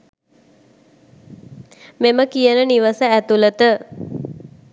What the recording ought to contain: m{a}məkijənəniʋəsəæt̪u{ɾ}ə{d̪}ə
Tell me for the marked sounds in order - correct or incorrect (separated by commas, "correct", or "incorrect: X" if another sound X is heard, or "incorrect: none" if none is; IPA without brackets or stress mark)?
incorrect: e, incorrect: l, incorrect: t̪